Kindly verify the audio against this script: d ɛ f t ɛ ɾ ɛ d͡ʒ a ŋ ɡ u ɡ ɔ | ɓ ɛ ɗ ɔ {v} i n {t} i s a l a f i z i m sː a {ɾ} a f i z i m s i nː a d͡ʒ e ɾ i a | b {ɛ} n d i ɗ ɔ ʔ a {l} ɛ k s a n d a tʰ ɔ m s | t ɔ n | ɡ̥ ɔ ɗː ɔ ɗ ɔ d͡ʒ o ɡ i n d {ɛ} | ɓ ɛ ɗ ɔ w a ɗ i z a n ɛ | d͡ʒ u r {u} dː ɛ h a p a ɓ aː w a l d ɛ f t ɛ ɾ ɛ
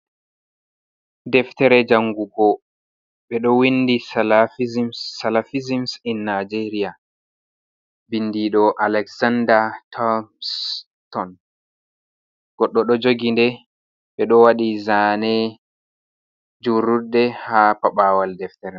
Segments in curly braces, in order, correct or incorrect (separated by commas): incorrect, incorrect, incorrect, incorrect, correct, correct, correct